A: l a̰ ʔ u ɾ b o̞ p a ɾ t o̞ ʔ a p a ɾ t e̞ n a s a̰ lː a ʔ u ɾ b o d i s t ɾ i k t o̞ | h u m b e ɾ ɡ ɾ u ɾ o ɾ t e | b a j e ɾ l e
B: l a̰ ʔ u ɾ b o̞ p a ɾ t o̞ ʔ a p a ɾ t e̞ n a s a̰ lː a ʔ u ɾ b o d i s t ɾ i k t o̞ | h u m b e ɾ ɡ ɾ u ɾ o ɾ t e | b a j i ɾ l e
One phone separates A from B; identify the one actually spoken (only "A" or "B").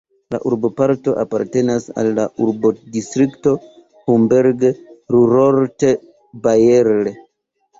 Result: A